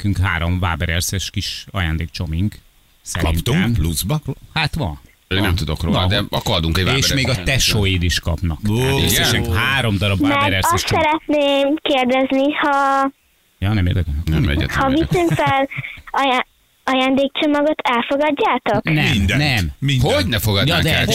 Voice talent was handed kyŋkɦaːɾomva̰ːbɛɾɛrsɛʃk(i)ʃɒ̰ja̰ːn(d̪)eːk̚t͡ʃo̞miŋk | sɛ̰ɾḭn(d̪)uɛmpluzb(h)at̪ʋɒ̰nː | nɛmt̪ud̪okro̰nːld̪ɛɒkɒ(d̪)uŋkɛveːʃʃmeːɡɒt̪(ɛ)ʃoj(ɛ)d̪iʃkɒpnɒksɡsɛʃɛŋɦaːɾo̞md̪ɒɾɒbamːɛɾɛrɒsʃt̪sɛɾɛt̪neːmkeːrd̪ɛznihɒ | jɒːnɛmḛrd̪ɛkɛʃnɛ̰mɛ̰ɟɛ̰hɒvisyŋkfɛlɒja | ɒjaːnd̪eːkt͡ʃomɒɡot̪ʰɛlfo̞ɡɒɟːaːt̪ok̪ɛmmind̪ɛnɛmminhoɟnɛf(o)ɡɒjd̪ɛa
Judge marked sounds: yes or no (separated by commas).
yes, yes, no, yes, yes, yes, no, yes